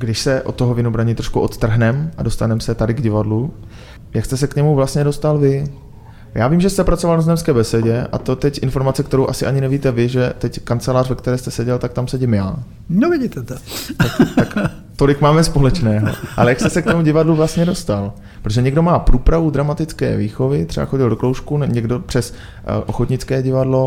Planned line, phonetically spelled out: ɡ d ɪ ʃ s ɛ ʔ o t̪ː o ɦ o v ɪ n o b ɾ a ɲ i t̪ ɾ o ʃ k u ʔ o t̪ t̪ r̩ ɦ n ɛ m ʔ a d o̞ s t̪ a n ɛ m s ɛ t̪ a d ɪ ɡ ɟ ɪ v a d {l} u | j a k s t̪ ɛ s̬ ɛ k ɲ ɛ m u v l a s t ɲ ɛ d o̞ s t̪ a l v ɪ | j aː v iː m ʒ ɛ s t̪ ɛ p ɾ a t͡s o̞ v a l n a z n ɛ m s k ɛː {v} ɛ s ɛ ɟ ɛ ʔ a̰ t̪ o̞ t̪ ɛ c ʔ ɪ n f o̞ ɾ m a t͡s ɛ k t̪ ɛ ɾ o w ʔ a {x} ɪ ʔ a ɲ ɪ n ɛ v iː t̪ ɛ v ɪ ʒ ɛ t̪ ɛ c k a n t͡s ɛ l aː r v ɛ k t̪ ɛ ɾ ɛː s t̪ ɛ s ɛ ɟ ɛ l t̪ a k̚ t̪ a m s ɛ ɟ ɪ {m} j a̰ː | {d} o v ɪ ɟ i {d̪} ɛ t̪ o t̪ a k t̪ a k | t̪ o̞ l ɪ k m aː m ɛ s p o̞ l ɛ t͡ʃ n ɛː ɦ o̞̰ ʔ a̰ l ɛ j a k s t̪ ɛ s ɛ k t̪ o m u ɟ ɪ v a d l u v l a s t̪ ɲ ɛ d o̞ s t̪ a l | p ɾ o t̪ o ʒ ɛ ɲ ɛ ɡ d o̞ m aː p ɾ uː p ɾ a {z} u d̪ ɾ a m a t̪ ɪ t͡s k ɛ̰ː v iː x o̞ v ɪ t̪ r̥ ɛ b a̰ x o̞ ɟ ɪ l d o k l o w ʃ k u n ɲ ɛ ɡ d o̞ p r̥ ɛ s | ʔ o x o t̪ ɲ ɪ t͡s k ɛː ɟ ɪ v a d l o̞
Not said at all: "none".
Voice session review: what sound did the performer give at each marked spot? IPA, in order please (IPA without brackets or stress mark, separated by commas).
l, b, s, m, n, t̪, v